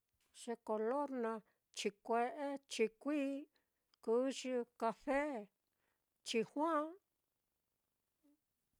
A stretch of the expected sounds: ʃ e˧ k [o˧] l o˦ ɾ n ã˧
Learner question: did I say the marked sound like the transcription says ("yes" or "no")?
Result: yes